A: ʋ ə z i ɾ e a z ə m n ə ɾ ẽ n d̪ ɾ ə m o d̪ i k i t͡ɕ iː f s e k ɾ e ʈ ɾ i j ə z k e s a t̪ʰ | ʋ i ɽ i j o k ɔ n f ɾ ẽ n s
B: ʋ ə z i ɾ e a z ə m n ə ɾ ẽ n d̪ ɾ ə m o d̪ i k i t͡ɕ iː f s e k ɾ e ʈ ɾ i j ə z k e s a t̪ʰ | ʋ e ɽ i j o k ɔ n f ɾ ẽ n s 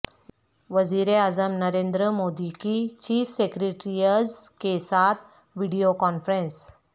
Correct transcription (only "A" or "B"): A